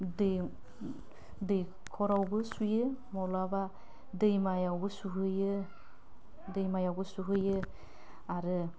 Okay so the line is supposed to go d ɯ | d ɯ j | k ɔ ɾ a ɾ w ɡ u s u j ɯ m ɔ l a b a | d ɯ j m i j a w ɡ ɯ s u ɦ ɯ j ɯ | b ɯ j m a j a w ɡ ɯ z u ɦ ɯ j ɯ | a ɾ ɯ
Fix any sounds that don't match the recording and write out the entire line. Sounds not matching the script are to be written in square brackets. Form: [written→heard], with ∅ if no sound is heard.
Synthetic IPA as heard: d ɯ | d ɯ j | [k→kʰ] ɔ ɾ a [ɾ→∅] w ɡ [u→ɯ] s u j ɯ m ɔ l a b a | d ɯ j m [i→a] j a w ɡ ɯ s u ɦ ɯ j ɯ | [b→d] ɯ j m a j a w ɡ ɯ [z→s] u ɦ ɯ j ɯ | a ɾ ɯ